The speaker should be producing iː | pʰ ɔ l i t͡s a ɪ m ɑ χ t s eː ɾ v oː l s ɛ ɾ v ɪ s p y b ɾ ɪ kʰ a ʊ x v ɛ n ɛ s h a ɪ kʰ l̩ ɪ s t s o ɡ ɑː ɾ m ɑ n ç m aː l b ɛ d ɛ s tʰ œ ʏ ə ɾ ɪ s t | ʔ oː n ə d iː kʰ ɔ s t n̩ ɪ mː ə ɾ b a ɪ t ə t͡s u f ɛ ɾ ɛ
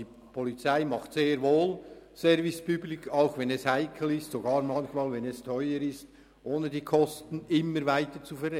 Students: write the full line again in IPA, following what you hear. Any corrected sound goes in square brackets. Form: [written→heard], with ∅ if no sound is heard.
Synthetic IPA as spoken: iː | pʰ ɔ l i t͡s a ɪ m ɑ χ t s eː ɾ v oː l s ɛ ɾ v ɪ s p y b [ɾ→l] ɪ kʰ a ʊ x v ɛ n ɛ s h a ɪ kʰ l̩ ɪ s t s o ɡ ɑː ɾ m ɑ n ç m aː l [b→v] ɛ [d→n] ɛ s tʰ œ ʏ ə ɾ ɪ s t | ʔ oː n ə d iː kʰ ɔ s t n̩ ɪ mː ə ɾ [b→v] a ɪ t ə t͡s u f ɛ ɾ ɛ